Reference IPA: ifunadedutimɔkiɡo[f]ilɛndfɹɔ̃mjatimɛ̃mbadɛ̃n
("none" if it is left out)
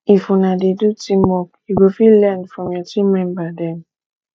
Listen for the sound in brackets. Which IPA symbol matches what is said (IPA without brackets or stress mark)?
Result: f